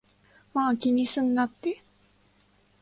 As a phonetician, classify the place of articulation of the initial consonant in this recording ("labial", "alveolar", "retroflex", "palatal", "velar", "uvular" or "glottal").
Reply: labial